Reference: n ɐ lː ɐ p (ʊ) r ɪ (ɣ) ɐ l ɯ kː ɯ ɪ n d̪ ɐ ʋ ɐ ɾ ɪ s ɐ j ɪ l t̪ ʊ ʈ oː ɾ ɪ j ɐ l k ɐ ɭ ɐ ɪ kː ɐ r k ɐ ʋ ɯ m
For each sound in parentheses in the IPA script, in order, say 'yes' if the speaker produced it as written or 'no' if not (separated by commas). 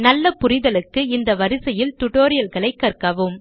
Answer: yes, no